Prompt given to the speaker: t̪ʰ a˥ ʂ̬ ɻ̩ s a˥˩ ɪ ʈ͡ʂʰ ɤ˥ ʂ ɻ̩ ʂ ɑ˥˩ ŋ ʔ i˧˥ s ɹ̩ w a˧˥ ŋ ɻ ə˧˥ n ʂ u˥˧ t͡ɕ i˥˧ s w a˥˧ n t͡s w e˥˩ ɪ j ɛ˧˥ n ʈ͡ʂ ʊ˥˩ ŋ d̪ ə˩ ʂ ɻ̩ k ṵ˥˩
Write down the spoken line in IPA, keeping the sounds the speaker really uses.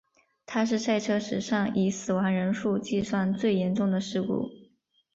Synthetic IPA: t̪ʰ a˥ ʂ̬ ɻ̩ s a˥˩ ɪ ʈ͡ʂʰ ɤ˥ ʂ ɻ̩ ʂ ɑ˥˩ ŋ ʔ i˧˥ s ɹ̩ w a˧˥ ŋ ɻ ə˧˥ n ʂ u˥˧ t͡ɕ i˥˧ s w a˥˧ n t͡s w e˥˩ ɪ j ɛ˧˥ n ʈ͡ʂ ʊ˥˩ ŋ d̪ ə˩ ʂ ɻ̩ k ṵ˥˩